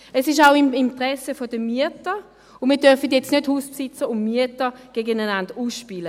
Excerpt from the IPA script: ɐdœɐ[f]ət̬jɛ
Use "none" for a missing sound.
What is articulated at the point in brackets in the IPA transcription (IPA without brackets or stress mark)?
f